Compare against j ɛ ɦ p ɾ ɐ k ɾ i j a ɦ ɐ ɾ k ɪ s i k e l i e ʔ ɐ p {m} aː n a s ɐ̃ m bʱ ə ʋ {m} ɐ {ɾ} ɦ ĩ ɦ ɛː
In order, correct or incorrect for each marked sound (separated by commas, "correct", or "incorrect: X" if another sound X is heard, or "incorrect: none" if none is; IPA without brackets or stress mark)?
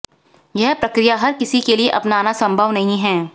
incorrect: n, incorrect: n, incorrect: none